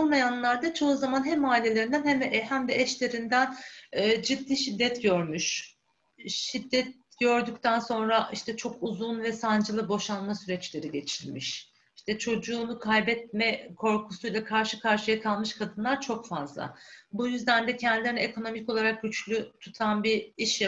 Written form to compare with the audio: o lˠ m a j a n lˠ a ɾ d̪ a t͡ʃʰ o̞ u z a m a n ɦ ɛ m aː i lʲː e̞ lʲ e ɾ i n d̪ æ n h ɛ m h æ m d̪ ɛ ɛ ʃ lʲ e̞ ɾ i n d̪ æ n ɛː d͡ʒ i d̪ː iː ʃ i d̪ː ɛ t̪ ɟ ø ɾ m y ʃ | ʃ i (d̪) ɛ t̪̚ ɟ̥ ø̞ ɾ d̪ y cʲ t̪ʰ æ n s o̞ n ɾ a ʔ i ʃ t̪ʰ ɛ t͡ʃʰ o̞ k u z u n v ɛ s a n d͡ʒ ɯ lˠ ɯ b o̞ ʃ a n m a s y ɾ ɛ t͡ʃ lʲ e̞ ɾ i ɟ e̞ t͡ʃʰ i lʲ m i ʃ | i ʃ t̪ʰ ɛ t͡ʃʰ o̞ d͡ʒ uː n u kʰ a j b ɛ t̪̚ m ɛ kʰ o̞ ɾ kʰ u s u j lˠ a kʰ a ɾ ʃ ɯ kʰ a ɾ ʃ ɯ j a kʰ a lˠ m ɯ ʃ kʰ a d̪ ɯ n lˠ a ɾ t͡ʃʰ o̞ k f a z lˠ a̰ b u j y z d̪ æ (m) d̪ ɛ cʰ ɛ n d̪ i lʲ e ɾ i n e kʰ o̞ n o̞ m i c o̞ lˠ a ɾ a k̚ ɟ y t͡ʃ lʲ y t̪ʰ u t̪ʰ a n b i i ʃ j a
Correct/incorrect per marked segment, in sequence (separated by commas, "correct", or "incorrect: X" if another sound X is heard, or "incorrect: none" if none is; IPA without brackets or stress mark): incorrect: d̪ː, incorrect: n